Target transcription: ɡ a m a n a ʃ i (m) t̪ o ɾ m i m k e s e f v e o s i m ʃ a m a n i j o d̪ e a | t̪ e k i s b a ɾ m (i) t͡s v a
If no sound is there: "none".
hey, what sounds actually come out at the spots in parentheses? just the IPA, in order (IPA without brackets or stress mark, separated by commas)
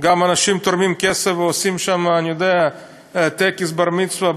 m, i